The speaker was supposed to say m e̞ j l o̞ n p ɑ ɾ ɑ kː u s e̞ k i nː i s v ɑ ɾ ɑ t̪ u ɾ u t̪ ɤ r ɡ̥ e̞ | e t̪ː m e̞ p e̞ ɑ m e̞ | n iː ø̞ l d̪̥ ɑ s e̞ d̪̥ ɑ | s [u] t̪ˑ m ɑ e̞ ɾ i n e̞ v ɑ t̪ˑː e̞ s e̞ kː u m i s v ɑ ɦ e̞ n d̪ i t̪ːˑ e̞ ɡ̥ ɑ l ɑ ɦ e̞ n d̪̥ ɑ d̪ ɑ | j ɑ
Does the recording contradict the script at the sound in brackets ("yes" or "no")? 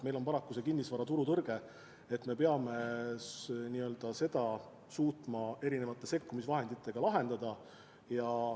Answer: yes